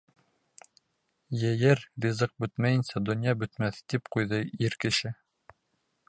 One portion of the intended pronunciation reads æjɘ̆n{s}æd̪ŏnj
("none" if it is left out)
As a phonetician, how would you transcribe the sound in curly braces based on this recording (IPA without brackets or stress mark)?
s